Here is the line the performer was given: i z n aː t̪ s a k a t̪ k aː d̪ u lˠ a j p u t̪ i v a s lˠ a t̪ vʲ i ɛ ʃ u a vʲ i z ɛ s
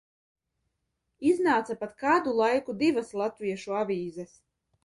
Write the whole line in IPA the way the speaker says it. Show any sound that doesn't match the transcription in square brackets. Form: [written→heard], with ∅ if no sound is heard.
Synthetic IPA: i z n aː t̪ s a [k→p] a t̪ k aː d̪ u lˠ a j [p→k] u [t̪→d̪] i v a s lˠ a t̪ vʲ i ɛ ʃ u a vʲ [i→iː] z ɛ s